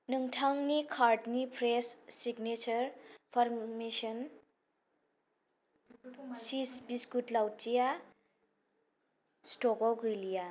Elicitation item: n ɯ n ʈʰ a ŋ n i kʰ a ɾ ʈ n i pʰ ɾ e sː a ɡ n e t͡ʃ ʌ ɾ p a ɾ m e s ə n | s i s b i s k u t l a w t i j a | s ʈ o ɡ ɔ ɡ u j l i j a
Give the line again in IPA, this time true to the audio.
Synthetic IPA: n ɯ ŋ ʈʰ a ŋ n i kʰ a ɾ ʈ n i pʰ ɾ e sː i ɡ n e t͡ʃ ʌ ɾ pʰ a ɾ m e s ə n | s i s b i s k u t l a w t i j a | s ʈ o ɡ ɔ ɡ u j l i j a